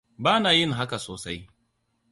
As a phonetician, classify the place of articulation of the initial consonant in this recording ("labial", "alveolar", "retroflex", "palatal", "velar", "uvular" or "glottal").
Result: labial